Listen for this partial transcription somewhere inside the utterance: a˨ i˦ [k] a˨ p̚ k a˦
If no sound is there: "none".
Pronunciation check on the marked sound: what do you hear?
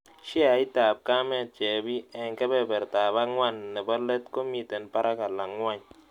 t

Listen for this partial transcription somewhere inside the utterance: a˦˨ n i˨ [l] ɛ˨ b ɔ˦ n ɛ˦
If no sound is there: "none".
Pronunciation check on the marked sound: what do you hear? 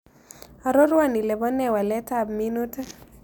l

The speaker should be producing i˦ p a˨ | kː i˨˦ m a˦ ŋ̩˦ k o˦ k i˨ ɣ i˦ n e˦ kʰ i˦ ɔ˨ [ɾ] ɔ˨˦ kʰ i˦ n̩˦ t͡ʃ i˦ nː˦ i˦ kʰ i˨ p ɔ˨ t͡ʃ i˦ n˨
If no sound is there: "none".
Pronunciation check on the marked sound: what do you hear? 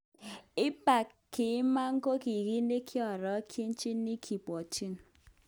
ɾ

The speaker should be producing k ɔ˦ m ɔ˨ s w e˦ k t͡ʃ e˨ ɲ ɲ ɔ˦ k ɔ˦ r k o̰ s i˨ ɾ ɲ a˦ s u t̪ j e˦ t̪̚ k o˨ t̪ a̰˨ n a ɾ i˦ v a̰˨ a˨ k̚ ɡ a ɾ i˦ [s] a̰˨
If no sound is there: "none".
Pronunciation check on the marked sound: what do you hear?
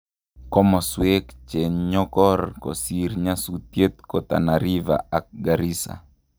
s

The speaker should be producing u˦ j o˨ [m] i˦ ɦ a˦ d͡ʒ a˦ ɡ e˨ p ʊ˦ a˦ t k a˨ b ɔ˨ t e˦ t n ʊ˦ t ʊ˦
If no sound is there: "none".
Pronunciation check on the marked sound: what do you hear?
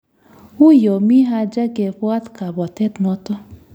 m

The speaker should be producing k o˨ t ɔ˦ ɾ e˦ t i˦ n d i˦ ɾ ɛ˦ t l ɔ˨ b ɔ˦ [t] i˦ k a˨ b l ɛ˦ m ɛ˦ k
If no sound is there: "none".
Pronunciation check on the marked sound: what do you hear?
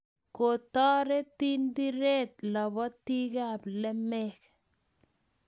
t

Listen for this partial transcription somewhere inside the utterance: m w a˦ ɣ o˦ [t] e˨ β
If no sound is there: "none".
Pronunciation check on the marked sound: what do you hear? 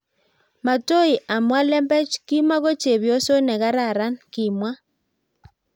t͡ʃ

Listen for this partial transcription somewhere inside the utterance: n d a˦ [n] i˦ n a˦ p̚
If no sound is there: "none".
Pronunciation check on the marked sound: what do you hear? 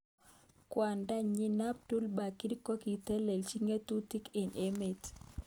ɲ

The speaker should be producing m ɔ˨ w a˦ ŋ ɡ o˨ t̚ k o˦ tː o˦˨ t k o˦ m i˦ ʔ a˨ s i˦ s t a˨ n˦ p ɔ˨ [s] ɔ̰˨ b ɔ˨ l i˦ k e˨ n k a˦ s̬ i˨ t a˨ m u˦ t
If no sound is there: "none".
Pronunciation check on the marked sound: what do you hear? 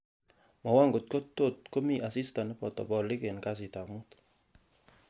t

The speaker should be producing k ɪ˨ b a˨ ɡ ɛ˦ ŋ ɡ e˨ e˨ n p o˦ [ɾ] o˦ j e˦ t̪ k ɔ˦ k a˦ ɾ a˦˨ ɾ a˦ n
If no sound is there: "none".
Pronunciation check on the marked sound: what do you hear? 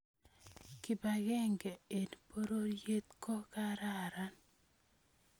ɾ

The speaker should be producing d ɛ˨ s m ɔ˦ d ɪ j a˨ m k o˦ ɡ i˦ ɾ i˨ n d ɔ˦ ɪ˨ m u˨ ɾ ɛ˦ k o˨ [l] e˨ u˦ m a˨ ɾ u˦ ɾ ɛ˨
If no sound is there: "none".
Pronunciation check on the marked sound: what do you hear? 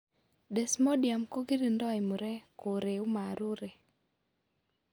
ɾ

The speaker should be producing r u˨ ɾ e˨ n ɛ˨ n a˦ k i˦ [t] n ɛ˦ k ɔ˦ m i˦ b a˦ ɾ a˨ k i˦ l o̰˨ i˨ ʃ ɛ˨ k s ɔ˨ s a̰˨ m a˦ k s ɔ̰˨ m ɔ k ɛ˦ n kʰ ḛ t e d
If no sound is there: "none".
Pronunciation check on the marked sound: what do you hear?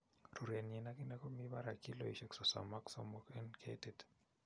none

